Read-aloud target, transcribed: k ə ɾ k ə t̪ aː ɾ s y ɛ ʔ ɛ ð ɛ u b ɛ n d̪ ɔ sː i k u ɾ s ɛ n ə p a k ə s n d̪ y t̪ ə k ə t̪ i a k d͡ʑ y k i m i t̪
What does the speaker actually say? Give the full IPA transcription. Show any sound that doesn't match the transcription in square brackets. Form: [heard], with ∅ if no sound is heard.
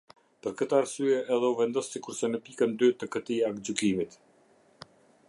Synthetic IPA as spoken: [p] ə ɾ k ə t̪ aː ɾ s y ɛ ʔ ɛ ð ɛ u [v] ɛ n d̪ ɔ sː i k u ɾ s ɛ n ə p [i] k ə [∅] n d̪ y t̪ ə k ə t̪ i a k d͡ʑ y k i m i t̪